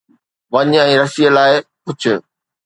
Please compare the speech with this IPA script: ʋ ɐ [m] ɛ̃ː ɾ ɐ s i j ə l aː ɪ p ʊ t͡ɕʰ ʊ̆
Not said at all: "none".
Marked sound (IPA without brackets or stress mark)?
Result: ɲ